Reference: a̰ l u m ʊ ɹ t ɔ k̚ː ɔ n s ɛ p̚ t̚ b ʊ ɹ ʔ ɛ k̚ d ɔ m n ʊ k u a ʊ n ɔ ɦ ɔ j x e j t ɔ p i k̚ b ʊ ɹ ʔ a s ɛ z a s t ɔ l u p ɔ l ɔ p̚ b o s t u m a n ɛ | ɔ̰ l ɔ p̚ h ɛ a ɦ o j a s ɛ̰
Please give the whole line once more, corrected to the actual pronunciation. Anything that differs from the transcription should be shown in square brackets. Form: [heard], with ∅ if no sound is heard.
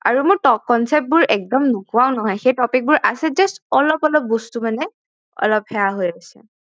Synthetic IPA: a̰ [ɹ] u m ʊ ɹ t ɔ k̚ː ɔ n s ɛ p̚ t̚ b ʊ ɹ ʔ ɛ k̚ d ɔ m n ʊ k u a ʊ n ɔ ɦ ɔ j x e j t ɔ p i k̚ b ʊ ɹ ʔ a s ɛ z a s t ɔ l [ɔ] p ɔ l ɔ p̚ b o s t u m a n ɛ | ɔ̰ l ɔ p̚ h ɛ a ɦ o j a s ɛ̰